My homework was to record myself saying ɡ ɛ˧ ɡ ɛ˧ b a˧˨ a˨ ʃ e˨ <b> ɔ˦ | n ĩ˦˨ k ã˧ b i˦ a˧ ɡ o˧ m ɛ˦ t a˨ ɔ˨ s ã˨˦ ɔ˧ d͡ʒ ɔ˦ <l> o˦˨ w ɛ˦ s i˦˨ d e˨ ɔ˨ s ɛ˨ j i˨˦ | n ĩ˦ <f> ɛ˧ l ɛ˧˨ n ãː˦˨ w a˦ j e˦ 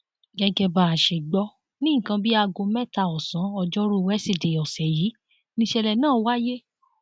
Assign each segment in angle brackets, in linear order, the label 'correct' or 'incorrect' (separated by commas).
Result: incorrect, incorrect, incorrect